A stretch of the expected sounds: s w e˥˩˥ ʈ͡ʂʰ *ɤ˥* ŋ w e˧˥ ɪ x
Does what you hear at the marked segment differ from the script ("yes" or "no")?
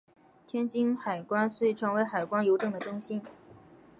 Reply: yes